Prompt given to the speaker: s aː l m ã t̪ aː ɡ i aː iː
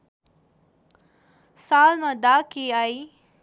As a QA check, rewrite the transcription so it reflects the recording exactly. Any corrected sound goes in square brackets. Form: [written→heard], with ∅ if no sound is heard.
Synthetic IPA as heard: s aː l m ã [t̪→d̪] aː [ɡ→k] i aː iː